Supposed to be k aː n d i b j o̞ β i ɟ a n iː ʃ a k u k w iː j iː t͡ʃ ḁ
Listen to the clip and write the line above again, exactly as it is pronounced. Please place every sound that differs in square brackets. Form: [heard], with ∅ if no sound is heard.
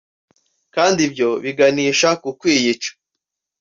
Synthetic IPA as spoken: k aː n d i b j o̞ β i [ɡ] a n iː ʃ a k u k w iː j [i] t͡ʃ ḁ